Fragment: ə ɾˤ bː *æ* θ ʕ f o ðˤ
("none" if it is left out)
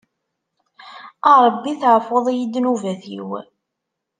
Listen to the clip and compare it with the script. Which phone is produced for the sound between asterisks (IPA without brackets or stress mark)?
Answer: i